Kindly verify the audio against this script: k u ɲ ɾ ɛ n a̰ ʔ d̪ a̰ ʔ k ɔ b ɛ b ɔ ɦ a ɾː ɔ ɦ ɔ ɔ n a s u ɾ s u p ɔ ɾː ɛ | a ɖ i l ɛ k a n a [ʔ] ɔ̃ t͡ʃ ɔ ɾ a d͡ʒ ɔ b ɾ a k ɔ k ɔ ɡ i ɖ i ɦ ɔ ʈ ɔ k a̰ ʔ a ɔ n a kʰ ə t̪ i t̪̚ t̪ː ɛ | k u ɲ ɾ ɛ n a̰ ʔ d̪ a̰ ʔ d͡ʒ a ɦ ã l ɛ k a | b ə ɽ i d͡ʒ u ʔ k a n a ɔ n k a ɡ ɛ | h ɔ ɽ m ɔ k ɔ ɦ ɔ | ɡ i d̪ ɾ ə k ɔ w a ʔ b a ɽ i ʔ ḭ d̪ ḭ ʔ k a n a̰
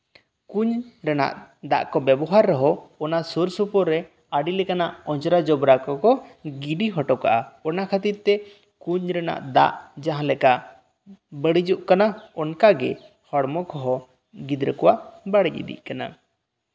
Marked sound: correct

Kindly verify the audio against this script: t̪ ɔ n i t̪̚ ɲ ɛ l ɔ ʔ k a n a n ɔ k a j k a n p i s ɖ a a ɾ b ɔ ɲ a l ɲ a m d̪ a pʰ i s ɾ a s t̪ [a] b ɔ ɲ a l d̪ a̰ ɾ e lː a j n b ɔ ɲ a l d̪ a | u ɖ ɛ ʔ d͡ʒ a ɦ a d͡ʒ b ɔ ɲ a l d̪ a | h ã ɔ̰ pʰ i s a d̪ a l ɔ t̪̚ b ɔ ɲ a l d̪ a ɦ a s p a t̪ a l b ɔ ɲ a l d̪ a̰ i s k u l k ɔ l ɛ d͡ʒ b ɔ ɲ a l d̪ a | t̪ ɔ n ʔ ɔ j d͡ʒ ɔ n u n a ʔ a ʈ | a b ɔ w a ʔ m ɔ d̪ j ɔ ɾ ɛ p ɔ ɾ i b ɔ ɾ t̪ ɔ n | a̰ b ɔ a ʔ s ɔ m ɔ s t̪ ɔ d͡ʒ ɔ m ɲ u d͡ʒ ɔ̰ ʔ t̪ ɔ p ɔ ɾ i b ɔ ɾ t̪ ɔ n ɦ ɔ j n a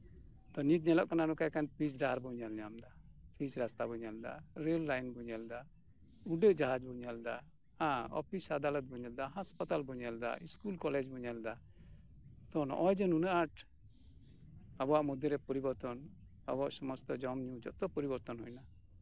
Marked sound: correct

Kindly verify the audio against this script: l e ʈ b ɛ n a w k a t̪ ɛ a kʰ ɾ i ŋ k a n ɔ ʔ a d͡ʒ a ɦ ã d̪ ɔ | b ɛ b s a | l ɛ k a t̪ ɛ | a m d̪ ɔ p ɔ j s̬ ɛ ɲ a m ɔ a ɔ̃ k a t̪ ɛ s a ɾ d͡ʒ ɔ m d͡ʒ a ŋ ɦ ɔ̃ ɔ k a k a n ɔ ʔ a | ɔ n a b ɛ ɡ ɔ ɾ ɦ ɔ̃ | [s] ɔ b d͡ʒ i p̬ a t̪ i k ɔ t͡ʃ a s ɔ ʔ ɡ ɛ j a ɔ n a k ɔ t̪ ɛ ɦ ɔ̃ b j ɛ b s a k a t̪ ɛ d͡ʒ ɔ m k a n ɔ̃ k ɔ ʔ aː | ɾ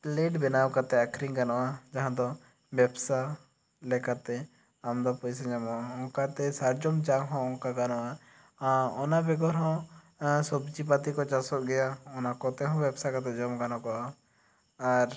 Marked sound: correct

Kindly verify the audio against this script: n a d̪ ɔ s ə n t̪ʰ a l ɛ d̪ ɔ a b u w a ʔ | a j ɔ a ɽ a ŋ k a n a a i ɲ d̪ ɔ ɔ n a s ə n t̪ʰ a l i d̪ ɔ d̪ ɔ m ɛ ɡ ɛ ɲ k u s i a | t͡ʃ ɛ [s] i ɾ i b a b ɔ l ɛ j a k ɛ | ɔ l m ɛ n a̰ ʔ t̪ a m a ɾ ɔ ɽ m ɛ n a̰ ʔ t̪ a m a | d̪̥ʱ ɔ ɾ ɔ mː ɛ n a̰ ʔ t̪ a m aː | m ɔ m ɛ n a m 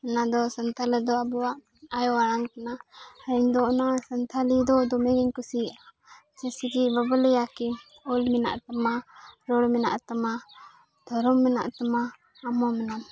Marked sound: correct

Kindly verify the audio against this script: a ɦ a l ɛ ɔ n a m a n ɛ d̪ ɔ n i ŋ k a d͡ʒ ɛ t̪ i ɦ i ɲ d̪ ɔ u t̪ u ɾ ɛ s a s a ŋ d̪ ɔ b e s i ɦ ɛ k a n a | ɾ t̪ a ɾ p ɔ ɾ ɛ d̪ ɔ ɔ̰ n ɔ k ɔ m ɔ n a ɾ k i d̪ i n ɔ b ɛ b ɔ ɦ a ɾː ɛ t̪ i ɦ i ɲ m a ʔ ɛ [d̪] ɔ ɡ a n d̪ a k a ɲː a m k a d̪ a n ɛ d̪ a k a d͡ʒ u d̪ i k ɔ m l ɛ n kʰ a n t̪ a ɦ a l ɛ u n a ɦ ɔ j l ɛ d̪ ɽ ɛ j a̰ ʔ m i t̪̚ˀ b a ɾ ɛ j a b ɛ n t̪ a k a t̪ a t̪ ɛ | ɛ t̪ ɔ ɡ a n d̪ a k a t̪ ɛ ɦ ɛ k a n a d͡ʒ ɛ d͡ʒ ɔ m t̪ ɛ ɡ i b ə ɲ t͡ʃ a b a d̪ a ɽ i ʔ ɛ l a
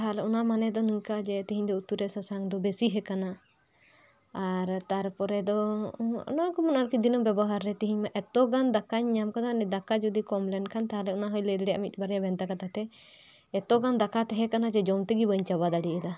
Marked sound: incorrect: t̪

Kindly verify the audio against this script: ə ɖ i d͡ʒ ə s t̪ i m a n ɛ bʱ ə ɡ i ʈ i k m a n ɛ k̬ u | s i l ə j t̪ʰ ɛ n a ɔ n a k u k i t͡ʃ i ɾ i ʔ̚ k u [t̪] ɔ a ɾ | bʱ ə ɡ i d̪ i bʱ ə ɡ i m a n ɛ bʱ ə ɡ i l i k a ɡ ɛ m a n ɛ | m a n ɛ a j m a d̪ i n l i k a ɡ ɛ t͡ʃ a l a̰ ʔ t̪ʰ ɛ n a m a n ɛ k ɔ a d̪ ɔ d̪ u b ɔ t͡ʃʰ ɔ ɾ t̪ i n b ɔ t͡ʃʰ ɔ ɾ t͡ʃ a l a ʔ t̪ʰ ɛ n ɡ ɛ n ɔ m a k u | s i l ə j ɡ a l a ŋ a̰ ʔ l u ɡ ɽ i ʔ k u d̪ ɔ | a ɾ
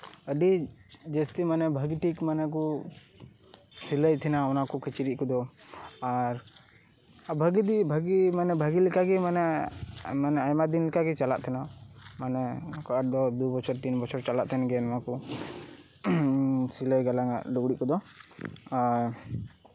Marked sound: incorrect: d̪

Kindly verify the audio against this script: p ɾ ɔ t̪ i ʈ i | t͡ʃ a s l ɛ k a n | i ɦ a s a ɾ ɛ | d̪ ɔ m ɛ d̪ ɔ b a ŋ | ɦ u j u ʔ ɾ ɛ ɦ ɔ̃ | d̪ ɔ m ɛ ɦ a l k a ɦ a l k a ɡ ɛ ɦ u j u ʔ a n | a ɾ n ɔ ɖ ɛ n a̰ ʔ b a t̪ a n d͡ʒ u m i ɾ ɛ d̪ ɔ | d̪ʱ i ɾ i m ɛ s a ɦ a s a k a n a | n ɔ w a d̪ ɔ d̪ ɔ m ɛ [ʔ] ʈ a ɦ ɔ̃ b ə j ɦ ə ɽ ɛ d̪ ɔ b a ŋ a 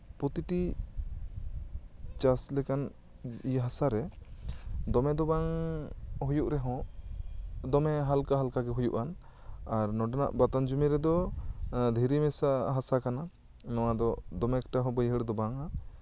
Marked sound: incorrect: k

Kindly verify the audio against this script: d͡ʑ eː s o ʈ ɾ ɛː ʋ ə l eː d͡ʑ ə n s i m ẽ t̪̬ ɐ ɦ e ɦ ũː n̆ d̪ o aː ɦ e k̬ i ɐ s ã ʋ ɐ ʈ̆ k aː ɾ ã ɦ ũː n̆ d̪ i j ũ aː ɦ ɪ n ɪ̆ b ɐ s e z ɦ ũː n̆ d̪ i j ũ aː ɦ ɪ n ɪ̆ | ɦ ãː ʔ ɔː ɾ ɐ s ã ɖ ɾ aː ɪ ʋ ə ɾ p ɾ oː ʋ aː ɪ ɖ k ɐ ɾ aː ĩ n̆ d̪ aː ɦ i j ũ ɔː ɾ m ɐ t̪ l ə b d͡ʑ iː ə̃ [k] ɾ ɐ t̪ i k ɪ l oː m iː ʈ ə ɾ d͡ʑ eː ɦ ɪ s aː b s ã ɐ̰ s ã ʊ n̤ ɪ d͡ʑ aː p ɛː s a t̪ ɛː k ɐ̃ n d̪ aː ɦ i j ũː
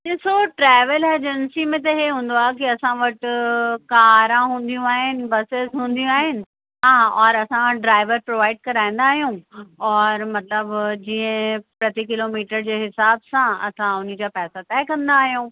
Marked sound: incorrect: p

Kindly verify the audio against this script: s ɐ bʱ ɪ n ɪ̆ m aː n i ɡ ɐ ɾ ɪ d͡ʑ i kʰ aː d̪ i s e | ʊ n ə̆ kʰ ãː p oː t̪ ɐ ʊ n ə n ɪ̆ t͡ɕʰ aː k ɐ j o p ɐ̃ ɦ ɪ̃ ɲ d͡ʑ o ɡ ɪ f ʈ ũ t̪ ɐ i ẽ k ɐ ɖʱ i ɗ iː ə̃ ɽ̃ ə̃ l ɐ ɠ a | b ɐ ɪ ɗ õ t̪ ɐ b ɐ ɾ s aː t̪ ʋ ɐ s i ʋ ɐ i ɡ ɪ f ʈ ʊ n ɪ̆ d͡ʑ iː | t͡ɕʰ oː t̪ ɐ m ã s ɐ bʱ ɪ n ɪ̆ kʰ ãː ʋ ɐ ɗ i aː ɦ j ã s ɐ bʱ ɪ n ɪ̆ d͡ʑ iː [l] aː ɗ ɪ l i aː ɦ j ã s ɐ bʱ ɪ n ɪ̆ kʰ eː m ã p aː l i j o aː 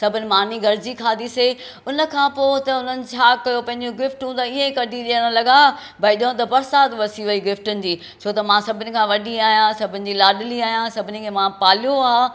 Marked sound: correct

